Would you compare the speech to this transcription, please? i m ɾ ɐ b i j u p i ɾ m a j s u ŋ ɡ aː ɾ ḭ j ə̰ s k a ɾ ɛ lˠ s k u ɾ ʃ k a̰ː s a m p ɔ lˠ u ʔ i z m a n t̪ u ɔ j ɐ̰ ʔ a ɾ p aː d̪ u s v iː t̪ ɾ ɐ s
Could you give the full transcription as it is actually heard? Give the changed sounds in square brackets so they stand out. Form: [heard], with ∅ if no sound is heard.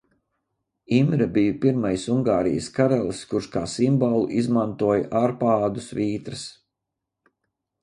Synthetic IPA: i m ɾ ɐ b i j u p i ɾ m a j s u ŋ ɡ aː ɾ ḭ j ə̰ s k a ɾ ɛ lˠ s k u ɾ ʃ k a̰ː s [i] m [b] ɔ lˠ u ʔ i z m a n t̪ u ɔ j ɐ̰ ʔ a ɾ p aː d̪ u s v iː t̪ ɾ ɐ s